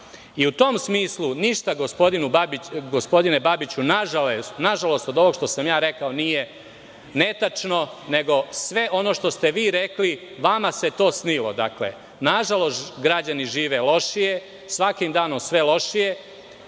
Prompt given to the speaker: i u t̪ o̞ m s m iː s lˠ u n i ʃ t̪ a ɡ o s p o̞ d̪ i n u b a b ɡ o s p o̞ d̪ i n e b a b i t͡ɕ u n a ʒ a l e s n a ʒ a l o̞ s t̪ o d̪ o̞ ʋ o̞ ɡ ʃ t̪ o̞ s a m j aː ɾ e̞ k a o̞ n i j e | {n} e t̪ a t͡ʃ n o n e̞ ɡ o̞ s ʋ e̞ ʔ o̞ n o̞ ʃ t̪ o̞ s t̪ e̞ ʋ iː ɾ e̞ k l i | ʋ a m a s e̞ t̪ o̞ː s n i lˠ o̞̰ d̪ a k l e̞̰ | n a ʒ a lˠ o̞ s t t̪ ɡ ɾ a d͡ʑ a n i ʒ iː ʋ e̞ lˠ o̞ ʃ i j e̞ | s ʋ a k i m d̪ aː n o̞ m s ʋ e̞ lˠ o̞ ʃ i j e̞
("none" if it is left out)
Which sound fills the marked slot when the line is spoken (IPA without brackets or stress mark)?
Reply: n